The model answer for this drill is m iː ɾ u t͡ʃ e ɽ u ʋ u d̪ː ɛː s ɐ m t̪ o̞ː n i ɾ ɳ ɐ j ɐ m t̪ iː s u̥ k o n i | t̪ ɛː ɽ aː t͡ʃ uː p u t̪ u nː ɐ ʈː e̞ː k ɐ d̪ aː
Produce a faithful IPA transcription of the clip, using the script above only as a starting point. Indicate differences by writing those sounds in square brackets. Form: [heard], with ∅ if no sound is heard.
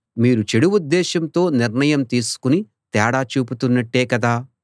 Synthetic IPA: m iː ɾ u t͡ʃ e ɽ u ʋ u d̪ː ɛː [ʃ] ɐ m t̪ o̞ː n i ɾ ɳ ɐ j ɐ m t̪ iː s u̥ k [u] n i | t̪ ɛː ɽ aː t͡ʃ uː p u t̪ u nː ɐ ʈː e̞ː k ɐ d̪ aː